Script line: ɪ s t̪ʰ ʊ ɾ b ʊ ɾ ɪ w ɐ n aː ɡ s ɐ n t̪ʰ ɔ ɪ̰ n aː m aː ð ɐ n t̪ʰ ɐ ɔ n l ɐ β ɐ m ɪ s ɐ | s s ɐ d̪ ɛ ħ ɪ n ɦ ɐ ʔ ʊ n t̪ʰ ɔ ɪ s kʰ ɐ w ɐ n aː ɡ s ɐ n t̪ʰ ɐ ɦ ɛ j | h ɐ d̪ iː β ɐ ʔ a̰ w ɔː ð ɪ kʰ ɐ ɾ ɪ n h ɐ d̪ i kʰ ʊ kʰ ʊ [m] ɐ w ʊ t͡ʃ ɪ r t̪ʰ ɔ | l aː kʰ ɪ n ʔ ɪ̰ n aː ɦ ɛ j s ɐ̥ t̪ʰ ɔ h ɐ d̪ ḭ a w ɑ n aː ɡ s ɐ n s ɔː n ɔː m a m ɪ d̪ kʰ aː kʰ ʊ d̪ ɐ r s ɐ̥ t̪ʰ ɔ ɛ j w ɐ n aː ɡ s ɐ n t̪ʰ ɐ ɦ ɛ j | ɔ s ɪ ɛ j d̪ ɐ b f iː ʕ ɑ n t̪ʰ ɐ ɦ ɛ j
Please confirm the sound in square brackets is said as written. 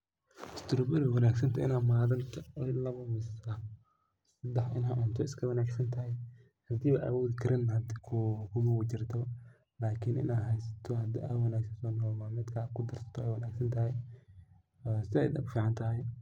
yes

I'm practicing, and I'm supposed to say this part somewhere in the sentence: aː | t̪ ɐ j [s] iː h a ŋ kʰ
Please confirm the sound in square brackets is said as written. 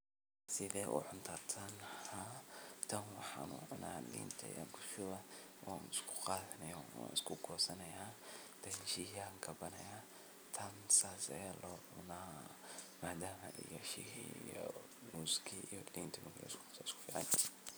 no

